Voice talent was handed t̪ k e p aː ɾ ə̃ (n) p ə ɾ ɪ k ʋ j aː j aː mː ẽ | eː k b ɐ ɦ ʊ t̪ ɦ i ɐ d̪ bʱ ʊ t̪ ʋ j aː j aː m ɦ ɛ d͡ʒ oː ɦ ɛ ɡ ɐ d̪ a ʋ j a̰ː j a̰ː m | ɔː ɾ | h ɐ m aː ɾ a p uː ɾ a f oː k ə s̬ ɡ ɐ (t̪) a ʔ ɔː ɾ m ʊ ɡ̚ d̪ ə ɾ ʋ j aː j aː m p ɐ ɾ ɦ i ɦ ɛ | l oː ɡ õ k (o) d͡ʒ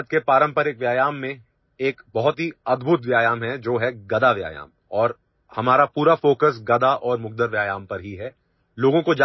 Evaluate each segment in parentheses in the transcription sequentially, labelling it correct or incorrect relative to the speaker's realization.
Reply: incorrect, incorrect, correct

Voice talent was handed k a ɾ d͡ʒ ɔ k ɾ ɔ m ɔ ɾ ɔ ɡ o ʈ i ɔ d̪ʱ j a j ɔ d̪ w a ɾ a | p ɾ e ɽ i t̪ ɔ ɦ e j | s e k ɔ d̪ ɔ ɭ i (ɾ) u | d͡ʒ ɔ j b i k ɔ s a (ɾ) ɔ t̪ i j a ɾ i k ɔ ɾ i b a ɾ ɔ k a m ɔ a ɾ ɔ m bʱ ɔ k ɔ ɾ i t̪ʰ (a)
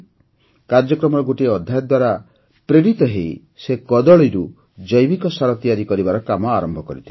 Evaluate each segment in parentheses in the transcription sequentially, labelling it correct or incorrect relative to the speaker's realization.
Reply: correct, correct, incorrect

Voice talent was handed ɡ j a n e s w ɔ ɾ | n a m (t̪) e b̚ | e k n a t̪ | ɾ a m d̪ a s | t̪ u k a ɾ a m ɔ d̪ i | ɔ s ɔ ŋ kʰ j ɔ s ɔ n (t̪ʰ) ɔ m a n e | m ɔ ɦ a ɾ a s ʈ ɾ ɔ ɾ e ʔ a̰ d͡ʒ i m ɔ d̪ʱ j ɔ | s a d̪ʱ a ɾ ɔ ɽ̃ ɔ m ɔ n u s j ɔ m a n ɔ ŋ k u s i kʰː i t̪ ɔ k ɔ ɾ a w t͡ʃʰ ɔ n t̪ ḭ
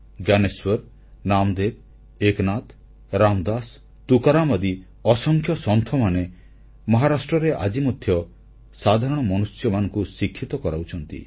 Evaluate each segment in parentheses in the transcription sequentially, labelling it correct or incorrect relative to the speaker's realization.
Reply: incorrect, correct

